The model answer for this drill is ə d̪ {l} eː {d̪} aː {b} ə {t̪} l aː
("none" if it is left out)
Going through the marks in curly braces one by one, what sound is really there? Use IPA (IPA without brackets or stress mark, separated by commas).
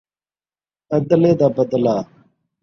l, d̪, b, d̪